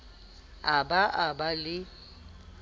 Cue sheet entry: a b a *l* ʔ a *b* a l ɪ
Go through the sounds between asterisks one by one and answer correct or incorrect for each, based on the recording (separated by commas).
incorrect, correct